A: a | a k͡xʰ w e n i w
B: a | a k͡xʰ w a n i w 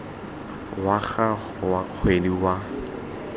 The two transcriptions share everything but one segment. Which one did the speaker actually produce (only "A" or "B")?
A